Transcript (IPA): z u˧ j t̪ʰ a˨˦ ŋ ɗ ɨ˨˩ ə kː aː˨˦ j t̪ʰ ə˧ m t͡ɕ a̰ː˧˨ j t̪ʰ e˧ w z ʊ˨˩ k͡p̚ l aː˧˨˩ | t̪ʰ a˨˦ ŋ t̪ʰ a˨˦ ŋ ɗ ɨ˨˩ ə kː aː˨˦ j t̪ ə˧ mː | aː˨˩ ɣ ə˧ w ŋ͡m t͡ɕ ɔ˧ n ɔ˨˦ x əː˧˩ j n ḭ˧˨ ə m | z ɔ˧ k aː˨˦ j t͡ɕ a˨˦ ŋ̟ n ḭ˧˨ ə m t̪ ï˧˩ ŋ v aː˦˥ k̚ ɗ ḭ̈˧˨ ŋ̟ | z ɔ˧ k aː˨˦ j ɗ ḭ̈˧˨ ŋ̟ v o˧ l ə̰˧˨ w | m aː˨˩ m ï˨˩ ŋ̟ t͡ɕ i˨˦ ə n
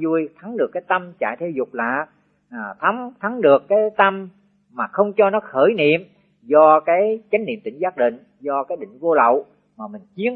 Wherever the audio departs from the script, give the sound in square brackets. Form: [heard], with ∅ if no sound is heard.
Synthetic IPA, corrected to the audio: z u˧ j t̪ʰ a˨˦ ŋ ɗ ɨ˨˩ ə kː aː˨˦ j [t̪] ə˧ m t͡ɕ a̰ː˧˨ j t̪ʰ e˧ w z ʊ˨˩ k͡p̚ l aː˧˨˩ | t̪ʰ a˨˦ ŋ t̪ʰ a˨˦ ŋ ɗ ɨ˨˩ ə kː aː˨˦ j t̪ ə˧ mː | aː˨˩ [x] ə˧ w ŋ͡m t͡ɕ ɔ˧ n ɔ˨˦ x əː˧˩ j n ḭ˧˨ ə m | z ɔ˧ k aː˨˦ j t͡ɕ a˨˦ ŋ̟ n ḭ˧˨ ə m t̪ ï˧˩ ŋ [z] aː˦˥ k̚ ɗ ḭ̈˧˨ ŋ̟ | z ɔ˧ k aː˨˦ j ɗ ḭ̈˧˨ ŋ̟ v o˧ l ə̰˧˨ w | m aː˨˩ m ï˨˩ ŋ̟ t͡ɕ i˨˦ ə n

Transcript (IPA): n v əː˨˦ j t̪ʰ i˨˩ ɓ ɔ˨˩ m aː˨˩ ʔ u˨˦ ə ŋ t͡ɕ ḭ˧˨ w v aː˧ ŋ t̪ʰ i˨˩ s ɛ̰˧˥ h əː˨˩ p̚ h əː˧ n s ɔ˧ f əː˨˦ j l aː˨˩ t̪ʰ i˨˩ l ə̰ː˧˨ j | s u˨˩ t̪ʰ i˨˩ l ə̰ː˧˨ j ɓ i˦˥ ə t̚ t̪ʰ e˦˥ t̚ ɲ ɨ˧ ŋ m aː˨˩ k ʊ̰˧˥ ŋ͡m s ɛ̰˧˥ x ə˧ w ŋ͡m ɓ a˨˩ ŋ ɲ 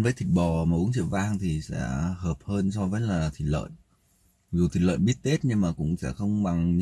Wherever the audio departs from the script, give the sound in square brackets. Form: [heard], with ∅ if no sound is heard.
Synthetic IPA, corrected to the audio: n v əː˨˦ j t̪ʰ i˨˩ ɓ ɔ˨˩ m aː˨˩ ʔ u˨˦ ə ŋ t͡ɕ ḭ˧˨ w v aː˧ ŋ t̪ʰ i˨˩ s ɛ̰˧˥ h əː˨˩ p̚ h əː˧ n s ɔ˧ [v] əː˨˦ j l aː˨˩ t̪ʰ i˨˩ l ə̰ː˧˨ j | [z] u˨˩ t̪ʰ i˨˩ l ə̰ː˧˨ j ɓ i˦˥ ə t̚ [t̪] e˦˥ t̚ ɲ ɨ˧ ŋ m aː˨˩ k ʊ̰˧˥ ŋ͡m s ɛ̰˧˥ x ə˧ w ŋ͡m ɓ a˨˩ ŋ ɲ

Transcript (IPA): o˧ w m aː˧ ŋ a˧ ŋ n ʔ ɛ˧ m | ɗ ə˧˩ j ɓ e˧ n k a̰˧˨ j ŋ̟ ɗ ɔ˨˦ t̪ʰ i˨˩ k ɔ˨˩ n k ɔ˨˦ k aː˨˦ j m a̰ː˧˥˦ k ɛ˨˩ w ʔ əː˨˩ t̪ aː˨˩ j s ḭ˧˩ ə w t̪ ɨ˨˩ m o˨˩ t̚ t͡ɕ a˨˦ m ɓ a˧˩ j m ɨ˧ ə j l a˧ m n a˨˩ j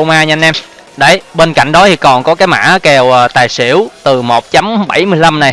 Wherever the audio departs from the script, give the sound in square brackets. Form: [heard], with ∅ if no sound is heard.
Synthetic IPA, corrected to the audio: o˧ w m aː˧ [ɲ] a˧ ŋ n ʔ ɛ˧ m | ɗ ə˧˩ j ɓ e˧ n k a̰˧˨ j ŋ̟ ɗ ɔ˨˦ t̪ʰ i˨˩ k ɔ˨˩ n k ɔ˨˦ k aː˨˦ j m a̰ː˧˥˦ k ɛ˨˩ w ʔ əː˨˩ t̪ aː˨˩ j s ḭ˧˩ ə w t̪ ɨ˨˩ m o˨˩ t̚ t͡ɕ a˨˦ m ɓ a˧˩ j m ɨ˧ ə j l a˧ m n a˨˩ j

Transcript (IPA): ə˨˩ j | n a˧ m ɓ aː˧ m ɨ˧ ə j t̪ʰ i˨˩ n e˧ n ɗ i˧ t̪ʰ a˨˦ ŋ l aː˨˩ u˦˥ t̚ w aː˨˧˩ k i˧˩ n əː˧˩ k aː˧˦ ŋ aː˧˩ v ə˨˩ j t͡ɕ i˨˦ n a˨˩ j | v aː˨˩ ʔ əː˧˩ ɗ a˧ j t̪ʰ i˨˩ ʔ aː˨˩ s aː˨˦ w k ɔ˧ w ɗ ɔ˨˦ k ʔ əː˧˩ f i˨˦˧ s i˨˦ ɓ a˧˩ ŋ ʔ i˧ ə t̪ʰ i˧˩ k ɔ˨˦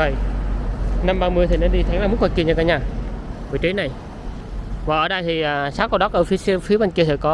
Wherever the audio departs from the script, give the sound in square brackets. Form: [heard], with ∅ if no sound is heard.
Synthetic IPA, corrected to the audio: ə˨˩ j | n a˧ m ɓ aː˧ m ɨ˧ ə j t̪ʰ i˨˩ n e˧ n ɗ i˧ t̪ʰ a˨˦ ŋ l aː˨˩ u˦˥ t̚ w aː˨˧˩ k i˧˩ [ɲ] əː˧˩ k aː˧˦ [ɲ] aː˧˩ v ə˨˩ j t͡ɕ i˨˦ n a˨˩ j | v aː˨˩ ʔ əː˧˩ ɗ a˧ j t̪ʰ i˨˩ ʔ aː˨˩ s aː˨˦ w k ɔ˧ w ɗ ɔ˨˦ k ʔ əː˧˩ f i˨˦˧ [f] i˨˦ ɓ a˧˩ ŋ [k] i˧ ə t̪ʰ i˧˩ k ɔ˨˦

